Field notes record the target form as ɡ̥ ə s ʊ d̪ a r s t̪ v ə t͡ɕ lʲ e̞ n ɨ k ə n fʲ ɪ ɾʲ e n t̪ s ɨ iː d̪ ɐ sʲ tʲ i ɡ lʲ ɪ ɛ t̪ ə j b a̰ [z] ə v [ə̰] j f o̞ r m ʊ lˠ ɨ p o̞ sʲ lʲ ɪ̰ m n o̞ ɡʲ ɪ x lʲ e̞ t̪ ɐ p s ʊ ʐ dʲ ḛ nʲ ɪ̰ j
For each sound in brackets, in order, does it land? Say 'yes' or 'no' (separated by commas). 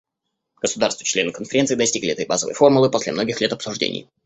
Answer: yes, yes